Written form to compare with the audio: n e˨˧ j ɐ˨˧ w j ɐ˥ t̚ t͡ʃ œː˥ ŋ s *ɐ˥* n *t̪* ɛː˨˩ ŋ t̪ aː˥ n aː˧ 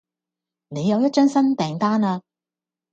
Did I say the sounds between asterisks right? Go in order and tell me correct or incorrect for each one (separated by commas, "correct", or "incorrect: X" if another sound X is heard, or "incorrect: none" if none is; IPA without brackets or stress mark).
correct, correct